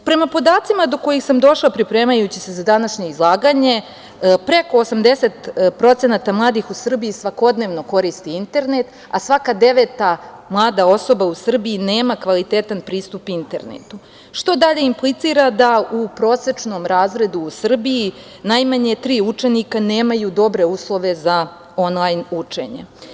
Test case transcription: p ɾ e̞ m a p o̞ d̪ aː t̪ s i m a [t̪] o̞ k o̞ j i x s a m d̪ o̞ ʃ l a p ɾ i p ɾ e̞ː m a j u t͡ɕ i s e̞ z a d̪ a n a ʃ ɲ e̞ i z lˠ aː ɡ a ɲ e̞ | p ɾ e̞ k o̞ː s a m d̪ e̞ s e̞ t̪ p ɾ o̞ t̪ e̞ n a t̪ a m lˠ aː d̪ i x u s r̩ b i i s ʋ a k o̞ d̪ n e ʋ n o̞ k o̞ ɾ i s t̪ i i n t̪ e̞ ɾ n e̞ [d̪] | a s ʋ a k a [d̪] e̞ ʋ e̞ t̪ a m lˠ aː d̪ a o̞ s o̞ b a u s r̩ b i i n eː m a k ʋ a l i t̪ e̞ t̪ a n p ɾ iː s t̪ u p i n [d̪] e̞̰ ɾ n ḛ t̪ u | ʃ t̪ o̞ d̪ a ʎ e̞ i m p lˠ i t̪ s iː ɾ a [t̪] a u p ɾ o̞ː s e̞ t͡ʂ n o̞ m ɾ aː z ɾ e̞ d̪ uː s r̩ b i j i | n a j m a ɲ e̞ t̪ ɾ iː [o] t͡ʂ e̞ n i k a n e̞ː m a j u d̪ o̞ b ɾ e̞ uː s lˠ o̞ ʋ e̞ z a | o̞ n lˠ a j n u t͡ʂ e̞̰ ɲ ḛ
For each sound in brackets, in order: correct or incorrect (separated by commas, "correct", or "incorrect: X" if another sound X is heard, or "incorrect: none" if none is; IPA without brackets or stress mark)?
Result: incorrect: d̪, incorrect: t̪, correct, incorrect: t̪, incorrect: d̪, incorrect: u